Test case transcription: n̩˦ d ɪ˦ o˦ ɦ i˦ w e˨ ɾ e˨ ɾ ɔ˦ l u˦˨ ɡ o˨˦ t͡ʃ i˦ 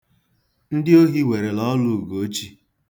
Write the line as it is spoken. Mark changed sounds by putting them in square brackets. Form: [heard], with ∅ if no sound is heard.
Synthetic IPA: n̩˦ d ɪ˦ o˦ ɦ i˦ w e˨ ɾ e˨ [l] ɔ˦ l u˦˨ ɡ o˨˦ t͡ʃ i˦